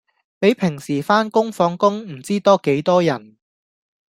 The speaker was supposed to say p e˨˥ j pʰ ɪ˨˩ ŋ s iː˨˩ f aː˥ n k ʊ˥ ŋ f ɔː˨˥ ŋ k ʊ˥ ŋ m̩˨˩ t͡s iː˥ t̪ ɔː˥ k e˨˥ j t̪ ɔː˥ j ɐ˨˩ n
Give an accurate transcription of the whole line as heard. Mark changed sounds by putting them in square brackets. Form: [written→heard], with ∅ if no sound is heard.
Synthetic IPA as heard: p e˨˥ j pʰ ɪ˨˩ ŋ s iː˨˩ f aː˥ n k ʊ˥ ŋ f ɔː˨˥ ŋ k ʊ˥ ŋ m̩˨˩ t͡s iː˥ t̪ ɔː˥ k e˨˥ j t̪ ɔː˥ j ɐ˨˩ n

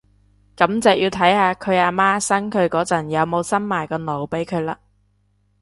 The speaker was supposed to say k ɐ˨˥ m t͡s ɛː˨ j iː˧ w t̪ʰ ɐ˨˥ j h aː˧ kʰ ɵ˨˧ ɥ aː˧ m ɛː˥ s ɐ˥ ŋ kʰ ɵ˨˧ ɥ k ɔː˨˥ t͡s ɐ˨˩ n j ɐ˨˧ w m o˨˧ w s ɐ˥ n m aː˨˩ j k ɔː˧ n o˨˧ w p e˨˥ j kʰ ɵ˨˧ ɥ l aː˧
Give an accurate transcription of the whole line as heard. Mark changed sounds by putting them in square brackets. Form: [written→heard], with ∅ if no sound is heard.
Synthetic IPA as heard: k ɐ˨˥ m t͡s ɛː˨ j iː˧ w t̪ʰ ɐ˨˥ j h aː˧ kʰ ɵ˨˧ ɥ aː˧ m [ɛː˥→aː˥] s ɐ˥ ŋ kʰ ɵ˨˧ ɥ k ɔː˨˥ t͡s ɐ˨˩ n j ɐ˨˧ w m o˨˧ w s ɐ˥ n m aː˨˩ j k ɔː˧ n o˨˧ w p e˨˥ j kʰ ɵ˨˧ ɥ l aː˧

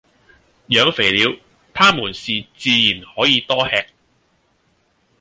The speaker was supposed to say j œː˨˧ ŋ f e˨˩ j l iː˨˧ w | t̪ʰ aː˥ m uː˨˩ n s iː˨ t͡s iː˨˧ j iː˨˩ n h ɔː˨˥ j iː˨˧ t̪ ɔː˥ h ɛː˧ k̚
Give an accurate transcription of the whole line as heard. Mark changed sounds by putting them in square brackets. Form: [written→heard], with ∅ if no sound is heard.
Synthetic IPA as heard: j œː˨˧ ŋ f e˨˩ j l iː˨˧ w | t̪ʰ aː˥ m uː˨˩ n s iː˨ t͡s iː˨˧ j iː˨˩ n h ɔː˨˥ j iː˨˧ t̪ ɔː˥ h ɛː˧ k̚

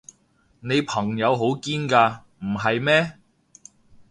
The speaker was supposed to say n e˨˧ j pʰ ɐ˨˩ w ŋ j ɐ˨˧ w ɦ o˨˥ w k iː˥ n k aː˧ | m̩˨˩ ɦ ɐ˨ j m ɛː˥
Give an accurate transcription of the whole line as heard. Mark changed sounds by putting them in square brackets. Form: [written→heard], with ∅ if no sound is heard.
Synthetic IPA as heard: n e˨˧ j pʰ ɐ˨˩ [w→∅] ŋ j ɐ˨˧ w ɦ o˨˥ w k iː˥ n k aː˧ | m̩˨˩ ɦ ɐ˨ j m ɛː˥

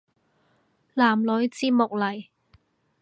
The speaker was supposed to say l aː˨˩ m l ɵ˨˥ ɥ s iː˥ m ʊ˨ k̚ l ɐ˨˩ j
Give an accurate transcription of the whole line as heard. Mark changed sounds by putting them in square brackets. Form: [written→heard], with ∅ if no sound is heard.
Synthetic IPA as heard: l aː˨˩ m l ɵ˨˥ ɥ [s→t͡s] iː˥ m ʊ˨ k̚ l ɐ˨˩ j

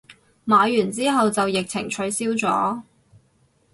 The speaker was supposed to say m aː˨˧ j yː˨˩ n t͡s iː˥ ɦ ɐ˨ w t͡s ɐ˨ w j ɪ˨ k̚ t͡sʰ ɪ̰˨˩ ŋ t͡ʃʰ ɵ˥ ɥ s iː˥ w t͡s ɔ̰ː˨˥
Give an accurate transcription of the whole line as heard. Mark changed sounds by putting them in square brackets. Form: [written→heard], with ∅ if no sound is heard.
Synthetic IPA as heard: m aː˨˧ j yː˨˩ n t͡s iː˥ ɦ ɐ˨ w t͡s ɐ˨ w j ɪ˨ k̚ t͡sʰ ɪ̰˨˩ ŋ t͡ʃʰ [ɵ˥→ɵ˨˥] ɥ s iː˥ w t͡s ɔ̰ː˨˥

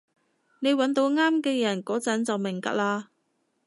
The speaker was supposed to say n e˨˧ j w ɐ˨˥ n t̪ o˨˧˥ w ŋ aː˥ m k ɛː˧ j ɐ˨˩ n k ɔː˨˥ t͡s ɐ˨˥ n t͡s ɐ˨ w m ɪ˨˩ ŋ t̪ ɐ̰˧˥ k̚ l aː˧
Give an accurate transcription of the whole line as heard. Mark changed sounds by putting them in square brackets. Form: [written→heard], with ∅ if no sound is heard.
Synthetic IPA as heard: n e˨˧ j w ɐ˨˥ n t̪ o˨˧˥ w ŋ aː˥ m k ɛː˧ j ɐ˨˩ n k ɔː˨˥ t͡s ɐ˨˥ n t͡s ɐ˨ w m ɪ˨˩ ŋ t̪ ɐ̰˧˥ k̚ l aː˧

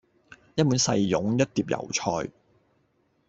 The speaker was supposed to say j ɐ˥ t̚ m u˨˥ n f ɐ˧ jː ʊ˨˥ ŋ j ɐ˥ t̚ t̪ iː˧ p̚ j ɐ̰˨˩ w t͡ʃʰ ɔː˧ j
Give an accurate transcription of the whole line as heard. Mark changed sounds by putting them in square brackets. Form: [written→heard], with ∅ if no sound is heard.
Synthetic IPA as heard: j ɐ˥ t̚ m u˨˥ n [f→s] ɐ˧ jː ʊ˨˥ ŋ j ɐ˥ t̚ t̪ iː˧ p̚ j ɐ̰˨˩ w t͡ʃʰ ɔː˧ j

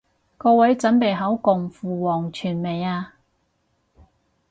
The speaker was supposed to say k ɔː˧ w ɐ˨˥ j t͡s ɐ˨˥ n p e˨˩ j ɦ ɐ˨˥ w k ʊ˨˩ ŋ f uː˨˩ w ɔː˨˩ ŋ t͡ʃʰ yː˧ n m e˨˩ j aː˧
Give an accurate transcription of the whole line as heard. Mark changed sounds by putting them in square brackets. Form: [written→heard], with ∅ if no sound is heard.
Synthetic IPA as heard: k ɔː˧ w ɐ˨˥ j t͡s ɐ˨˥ n p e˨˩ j ɦ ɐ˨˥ w k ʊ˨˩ ŋ f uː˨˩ w ɔː˨˩ ŋ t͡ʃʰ [yː˧→yː˨˩] n m e˨˩ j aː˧

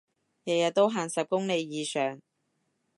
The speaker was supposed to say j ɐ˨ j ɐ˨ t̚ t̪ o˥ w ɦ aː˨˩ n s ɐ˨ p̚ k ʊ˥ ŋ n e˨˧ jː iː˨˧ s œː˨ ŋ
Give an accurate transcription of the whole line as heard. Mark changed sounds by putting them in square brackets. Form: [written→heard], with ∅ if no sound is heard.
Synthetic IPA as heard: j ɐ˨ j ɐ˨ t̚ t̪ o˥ w ɦ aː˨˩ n s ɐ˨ p̚ k ʊ˥ ŋ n e˨˧ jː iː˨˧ s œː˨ ŋ

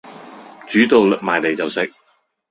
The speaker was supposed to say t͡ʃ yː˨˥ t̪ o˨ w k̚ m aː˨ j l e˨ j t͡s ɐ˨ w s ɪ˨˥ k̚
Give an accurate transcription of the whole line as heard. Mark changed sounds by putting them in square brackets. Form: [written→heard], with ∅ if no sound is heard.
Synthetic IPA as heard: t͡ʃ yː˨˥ t̪ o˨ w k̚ m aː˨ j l e˨ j t͡s ɐ˨ w s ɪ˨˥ k̚

